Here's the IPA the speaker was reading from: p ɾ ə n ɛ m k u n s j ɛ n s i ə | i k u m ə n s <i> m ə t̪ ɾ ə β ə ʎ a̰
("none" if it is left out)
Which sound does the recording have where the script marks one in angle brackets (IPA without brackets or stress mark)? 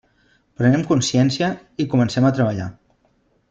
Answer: ɛ